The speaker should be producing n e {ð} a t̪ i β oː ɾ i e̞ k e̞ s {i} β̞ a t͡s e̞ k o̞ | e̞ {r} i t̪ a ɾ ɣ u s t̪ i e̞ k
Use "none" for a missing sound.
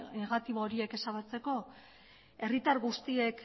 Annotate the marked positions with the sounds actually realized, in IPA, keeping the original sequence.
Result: ɣ, a, r

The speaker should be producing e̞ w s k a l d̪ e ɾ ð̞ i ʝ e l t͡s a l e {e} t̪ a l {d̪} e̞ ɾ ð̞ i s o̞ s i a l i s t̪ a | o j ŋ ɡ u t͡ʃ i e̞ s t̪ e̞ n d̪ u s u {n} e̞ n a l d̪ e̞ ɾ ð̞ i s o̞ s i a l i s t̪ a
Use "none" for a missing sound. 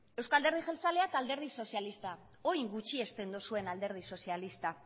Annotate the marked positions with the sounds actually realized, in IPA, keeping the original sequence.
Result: a, d̪, none

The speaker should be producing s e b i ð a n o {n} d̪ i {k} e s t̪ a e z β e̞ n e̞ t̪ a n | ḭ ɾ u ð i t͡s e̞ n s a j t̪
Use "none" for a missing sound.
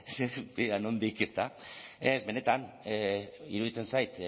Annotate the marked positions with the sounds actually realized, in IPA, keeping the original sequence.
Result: n, k

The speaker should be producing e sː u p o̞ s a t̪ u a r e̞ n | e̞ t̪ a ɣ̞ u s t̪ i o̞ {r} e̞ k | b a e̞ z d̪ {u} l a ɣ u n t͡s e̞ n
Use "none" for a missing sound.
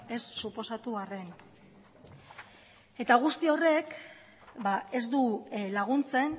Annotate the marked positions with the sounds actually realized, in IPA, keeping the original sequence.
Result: r, u

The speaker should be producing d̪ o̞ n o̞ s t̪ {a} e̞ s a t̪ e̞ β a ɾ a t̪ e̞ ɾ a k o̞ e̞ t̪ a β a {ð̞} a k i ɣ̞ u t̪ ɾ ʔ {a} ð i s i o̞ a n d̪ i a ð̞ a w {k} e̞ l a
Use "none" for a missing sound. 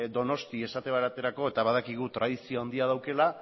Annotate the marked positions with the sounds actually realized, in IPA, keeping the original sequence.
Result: i, ð̞, a, k

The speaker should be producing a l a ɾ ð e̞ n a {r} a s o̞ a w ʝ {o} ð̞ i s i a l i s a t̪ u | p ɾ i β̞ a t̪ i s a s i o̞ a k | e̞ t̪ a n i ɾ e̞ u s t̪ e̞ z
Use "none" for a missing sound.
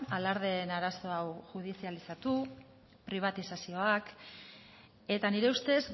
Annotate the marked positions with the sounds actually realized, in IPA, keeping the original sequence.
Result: ɾ, u

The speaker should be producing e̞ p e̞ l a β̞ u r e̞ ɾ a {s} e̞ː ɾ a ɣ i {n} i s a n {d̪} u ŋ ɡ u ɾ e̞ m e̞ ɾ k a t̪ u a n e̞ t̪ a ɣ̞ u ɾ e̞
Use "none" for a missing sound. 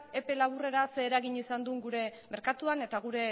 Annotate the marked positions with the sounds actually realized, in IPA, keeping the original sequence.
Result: s, ɲ, d̪

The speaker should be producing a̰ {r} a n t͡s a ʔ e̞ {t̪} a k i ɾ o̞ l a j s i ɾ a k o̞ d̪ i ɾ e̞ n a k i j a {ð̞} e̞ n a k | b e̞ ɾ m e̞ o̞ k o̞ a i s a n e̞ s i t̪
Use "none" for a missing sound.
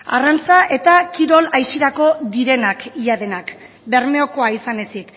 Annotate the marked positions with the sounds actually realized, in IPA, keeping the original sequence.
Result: r, t̪, ð̞

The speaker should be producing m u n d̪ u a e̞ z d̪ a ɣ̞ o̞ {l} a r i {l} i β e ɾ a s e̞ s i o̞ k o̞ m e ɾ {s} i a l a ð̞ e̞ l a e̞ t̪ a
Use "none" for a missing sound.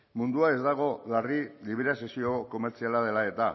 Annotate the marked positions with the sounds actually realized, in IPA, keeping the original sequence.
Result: l, l, t͡s

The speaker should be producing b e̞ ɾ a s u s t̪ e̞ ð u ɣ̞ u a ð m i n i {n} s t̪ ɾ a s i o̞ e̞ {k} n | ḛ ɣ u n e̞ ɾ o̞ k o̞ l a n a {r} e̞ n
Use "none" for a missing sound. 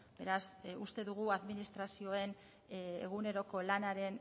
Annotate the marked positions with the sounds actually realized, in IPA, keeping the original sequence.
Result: none, none, ɾ

